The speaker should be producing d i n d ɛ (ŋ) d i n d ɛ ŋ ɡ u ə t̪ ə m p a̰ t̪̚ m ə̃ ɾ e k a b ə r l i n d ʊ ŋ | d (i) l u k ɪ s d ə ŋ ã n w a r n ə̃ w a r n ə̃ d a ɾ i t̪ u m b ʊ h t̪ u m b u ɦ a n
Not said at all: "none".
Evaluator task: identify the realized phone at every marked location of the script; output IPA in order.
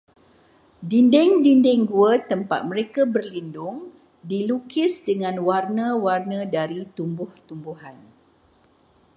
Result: ŋ, i

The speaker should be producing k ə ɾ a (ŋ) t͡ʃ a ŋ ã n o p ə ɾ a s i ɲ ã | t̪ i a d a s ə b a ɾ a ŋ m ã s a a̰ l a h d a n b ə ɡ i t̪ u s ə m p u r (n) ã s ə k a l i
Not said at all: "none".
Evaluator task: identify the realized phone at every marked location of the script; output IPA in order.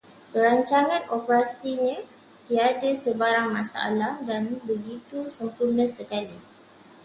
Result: ɲ, n

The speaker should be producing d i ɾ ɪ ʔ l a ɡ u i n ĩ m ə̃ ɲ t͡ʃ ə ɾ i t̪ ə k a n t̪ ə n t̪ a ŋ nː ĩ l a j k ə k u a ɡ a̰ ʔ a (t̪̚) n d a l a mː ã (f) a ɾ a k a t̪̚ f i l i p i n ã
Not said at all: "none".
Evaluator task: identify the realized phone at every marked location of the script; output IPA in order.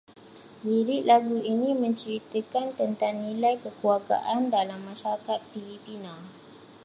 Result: none, ʃ

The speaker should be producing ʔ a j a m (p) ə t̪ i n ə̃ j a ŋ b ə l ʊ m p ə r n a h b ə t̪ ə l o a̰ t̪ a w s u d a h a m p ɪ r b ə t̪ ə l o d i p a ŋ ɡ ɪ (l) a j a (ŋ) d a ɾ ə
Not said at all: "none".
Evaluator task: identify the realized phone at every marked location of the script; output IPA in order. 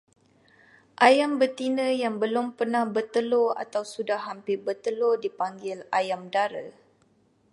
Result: b, l, m

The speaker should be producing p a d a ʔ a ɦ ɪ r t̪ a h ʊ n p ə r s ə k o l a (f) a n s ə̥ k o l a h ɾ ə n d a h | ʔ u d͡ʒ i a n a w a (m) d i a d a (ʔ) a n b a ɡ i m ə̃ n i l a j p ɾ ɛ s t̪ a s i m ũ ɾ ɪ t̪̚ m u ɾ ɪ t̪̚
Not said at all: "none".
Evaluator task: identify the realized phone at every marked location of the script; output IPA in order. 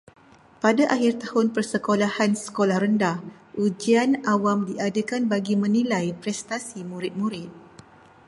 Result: h, m, k

